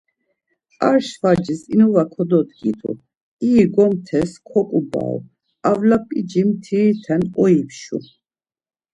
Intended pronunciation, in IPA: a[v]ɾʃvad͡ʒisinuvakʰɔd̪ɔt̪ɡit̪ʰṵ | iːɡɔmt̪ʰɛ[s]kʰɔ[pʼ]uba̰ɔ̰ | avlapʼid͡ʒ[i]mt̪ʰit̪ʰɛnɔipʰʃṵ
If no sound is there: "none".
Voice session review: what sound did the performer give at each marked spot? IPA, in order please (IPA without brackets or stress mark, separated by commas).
none, s, kʼ, i